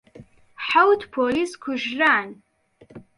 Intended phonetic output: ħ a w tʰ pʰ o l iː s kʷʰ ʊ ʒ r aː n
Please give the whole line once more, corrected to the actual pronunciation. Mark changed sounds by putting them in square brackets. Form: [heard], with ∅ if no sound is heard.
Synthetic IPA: ħ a w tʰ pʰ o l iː s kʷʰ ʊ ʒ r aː n